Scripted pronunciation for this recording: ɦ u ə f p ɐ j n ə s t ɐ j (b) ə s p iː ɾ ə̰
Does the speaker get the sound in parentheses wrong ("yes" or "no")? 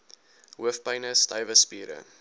yes